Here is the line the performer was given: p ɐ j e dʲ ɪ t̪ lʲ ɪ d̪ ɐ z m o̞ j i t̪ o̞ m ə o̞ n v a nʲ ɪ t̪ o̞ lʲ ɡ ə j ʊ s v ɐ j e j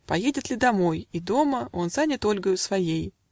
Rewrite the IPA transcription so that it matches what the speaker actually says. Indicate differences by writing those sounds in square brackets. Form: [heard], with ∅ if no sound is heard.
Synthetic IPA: p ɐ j e dʲ ɪ t̪ lʲ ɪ d̪ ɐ [∅] m o̞ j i [d̪] o̞ m ə o̞ n [z] a nʲ ɪ t̪ o̞ lʲ ɡ ə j ʊ s v ɐ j e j